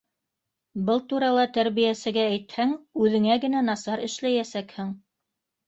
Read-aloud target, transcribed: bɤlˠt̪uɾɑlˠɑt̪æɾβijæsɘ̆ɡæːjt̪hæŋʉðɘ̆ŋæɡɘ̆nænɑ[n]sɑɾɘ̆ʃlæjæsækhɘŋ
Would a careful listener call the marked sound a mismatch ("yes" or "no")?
yes